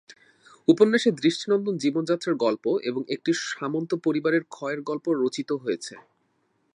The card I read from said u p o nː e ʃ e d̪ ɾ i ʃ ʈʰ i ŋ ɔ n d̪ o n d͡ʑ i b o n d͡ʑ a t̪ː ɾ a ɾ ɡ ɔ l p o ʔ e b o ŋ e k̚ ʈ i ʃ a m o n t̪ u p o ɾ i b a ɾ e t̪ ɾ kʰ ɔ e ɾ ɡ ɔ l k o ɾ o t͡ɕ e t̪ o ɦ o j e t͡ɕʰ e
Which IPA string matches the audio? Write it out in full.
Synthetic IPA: u p o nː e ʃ e d̪ ɾ i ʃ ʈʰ i n ɔ n d̪ o n d͡ʑ i b o n d͡ʑ a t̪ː ɾ a ɾ ɡ ɔ l p o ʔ e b o ŋ e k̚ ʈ i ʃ a m o n t̪ o p o ɾ i b a ɾ e ɾ kʰ ɔ e ɾ ɡ ɔ l p o ɾ o t͡ɕ i t̪ o ɦ o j e t͡ɕʰ e